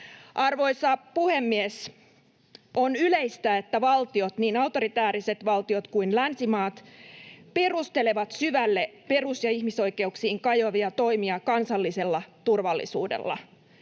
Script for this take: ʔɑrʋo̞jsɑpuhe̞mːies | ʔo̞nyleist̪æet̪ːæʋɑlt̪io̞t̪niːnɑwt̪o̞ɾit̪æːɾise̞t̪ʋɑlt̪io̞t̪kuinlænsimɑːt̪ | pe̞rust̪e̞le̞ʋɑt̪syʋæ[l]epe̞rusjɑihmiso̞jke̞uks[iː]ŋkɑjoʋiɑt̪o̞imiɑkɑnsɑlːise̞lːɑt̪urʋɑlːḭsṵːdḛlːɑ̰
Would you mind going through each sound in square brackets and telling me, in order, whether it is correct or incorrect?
incorrect, correct

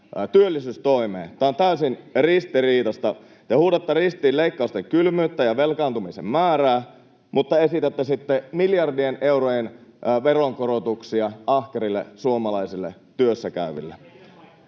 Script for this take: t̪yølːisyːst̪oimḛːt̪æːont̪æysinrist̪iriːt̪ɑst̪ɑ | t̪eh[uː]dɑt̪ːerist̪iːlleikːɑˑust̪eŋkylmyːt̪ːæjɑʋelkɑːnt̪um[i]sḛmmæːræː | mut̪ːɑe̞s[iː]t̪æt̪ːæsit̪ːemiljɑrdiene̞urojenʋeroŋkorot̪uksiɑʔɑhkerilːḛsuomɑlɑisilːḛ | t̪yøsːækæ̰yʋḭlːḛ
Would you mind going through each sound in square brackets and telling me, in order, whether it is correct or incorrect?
correct, correct, incorrect

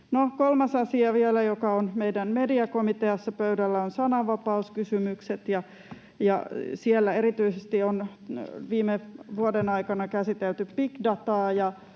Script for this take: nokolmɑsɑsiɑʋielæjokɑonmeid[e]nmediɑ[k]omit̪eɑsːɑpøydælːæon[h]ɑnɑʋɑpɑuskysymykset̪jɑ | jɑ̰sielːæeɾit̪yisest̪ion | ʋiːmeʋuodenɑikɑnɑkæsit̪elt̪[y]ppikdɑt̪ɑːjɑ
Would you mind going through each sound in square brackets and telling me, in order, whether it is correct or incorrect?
incorrect, correct, incorrect, correct

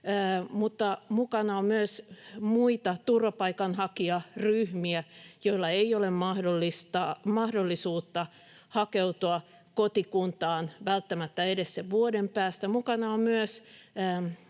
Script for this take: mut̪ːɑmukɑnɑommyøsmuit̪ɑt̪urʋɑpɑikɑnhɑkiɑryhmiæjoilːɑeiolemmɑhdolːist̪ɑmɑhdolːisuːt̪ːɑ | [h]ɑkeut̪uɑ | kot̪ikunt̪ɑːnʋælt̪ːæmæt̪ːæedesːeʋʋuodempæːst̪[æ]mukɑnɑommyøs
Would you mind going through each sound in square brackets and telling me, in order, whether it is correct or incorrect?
correct, correct

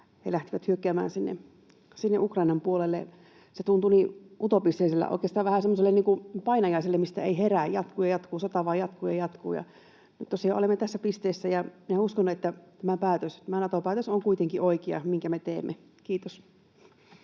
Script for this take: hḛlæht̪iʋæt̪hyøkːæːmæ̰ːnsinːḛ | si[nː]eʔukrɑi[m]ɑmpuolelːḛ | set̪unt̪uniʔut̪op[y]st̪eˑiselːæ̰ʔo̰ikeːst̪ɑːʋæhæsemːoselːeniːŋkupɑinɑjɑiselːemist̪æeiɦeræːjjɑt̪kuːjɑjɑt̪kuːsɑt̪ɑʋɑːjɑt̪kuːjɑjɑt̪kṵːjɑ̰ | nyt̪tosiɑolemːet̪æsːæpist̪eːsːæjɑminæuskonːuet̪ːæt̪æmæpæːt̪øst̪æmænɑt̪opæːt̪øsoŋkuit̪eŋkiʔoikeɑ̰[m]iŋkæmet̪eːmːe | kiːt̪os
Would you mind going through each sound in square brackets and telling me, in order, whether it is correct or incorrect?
correct, incorrect, incorrect, correct

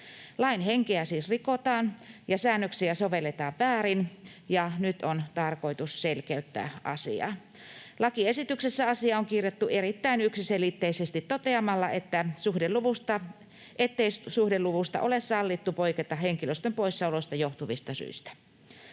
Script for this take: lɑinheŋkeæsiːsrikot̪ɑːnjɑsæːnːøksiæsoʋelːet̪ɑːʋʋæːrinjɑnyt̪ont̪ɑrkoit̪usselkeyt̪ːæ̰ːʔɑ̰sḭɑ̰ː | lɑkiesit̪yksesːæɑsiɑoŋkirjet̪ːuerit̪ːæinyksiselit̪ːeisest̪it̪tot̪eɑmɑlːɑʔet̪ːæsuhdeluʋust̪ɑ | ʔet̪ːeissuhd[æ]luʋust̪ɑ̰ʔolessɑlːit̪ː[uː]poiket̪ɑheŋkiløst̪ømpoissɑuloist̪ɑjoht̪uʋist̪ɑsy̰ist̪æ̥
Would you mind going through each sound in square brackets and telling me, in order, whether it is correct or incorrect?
incorrect, incorrect

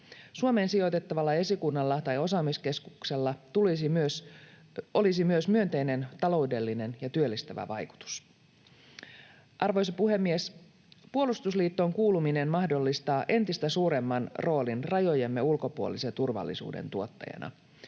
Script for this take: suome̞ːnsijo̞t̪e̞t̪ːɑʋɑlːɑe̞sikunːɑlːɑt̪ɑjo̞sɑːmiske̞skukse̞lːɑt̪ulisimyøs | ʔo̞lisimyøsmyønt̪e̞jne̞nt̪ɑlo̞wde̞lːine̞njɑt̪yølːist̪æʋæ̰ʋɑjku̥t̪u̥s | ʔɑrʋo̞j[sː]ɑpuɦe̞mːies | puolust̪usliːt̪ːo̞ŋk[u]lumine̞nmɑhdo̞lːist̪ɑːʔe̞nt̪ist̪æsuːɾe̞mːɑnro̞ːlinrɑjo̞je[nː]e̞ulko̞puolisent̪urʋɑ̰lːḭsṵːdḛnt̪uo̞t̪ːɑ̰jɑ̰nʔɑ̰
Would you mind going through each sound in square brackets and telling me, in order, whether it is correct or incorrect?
incorrect, incorrect, incorrect

